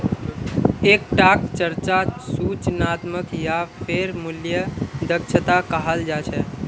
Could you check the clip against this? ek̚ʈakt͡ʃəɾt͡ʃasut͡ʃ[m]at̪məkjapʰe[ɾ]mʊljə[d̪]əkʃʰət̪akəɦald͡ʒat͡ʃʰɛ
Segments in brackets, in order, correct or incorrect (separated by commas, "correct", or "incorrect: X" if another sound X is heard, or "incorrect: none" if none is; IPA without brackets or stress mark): incorrect: n, correct, correct